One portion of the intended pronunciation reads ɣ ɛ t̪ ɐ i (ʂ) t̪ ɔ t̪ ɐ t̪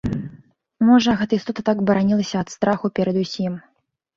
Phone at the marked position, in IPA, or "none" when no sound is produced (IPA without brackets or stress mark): s